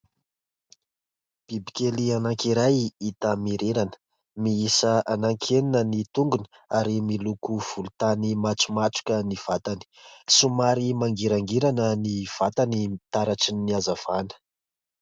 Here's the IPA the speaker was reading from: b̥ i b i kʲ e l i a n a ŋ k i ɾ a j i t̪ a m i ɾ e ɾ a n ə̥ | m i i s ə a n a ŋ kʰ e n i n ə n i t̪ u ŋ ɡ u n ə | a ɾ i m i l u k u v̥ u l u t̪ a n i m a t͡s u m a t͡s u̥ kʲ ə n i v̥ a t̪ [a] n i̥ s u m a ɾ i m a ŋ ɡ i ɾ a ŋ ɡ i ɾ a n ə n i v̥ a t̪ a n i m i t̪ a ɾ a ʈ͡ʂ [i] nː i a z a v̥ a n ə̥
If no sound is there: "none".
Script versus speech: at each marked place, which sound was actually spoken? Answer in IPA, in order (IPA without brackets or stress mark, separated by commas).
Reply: a, i